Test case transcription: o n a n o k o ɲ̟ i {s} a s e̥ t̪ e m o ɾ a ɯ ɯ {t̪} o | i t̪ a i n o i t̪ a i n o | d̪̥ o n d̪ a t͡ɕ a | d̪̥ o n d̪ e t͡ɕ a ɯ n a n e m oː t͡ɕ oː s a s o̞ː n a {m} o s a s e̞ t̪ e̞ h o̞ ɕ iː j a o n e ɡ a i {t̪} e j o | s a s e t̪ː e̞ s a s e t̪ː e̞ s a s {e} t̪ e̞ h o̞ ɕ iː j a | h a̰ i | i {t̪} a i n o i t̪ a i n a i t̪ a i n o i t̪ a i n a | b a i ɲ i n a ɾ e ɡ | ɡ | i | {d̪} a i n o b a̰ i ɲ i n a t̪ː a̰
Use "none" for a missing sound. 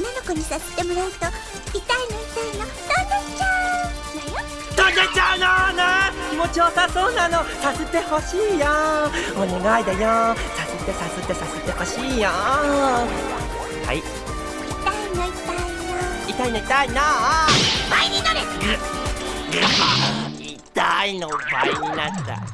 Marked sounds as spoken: s, t̪, n, d̪, e, t̪, t̪

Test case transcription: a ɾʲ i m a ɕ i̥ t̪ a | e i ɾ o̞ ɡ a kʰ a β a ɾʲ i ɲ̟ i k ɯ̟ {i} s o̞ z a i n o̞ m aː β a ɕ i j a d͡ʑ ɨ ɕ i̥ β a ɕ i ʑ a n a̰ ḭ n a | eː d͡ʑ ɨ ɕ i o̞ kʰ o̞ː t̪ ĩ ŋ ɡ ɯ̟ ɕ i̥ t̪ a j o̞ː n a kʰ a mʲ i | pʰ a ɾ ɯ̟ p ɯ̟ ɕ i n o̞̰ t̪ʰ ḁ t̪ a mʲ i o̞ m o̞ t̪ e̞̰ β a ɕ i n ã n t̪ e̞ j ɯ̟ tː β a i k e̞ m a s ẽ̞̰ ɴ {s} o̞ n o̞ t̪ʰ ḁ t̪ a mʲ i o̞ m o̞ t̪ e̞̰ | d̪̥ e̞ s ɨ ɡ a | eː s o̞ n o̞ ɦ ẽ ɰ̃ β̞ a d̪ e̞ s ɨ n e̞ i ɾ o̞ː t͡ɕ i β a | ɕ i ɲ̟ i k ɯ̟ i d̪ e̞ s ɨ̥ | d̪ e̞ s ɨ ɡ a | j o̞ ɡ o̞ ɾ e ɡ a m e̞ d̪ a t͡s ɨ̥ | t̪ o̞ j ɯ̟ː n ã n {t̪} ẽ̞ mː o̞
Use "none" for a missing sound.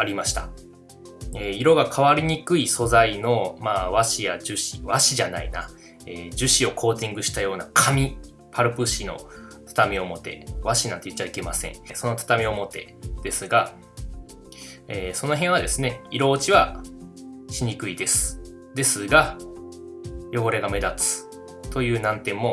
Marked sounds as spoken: i, s, t̪

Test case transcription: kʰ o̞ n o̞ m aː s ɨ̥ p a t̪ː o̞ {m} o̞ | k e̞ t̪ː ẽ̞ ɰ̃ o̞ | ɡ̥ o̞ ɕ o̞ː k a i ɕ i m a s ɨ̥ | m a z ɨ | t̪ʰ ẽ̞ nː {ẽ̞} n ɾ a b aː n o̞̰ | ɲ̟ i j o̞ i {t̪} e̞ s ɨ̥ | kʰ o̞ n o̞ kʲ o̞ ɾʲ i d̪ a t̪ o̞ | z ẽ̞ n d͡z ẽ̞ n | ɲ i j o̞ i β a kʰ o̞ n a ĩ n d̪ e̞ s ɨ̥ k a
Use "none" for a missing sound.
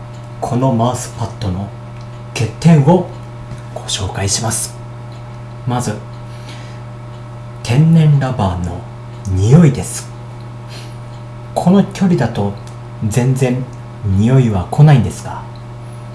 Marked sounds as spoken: n, ẽ̞, d̪

